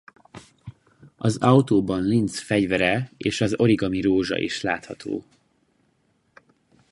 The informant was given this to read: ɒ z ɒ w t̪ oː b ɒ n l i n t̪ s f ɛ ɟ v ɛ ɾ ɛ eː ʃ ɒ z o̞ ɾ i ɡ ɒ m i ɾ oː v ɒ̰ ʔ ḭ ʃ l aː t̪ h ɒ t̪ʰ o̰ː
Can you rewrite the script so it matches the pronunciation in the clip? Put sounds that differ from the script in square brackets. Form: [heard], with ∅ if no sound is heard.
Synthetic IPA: ɒ z ɒ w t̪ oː b ɒ n l i n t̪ s f ɛ ɟ v ɛ ɾ ɛ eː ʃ ɒ z o̞ ɾ i ɡ ɒ m i ɾ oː [ʒ] ɒ̰ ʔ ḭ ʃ l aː t̪ h ɒ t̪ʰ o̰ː